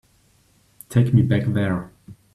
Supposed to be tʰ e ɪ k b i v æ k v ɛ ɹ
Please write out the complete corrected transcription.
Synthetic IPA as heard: tʰ e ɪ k m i b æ k ð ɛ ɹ